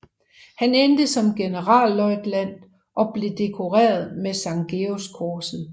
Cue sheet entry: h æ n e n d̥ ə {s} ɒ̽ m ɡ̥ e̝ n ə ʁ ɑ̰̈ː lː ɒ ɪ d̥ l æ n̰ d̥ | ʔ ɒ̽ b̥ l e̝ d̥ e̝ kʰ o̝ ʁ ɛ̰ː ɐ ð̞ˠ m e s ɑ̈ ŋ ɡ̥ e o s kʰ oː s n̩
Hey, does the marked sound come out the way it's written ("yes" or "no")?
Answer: yes